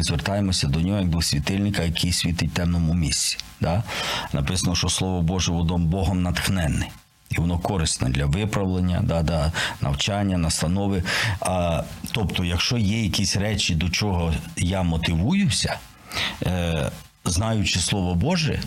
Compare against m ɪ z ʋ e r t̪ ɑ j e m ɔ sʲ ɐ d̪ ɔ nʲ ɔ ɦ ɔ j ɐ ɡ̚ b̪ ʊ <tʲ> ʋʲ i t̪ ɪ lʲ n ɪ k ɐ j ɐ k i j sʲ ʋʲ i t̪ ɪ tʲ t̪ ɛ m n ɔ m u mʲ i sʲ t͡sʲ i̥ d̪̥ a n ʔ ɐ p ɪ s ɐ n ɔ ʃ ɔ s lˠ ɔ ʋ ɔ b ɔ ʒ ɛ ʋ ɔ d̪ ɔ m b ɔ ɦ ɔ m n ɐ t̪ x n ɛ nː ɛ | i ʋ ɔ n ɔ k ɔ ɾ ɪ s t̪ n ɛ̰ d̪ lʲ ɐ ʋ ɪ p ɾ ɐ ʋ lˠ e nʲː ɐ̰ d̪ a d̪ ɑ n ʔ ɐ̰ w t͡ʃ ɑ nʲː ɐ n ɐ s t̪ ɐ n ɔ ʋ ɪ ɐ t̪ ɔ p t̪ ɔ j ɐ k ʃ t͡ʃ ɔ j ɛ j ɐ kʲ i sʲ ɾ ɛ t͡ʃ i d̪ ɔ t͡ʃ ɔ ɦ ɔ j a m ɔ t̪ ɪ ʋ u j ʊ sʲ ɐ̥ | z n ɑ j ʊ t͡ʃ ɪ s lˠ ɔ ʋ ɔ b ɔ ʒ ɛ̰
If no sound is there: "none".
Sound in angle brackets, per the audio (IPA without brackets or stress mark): sʲ